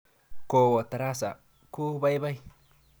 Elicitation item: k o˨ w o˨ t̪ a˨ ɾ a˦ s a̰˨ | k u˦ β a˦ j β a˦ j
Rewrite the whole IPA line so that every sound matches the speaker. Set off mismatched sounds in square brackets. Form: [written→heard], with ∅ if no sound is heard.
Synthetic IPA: k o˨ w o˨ t̪ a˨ ɾ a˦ s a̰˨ | k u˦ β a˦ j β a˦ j